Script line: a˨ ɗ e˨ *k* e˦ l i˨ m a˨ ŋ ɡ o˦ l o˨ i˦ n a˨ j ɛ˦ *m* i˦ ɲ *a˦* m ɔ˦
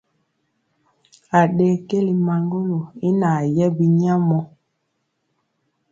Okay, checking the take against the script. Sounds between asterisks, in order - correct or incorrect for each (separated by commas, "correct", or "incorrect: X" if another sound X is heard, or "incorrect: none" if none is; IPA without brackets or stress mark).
correct, incorrect: b, correct